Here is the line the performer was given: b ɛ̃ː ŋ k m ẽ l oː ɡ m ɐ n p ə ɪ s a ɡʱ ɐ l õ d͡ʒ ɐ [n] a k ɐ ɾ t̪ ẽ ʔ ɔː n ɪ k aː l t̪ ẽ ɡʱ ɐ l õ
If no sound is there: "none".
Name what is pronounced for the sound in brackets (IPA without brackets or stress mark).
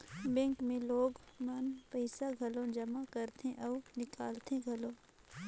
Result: m